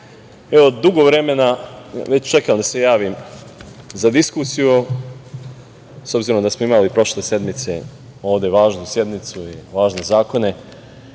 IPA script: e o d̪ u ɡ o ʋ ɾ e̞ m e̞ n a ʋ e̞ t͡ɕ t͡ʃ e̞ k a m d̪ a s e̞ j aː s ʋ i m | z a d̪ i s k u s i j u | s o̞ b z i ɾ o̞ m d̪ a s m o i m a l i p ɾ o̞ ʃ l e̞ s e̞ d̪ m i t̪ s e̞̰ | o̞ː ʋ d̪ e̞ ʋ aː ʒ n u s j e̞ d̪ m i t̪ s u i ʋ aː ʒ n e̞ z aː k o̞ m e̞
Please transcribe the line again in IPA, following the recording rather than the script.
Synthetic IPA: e o d̪ u ɡ o ʋ ɾ e̞ m e̞ n a ʋ e̞ t͡ɕ t͡ʃ e̞ k a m d̪ a s e̞ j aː ʋ i m | z a d̪ i s k u s i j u | s o̞ b z i ɾ o̞ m d̪ a s m o i m a l i p ɾ o̞ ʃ l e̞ s e̞ d̪ m i t̪ s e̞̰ | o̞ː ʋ d̪ e̞ ʋ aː ʒ n u s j e̞ d̪ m i t̪ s u i ʋ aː ʒ n e̞ z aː k o̞ n e̞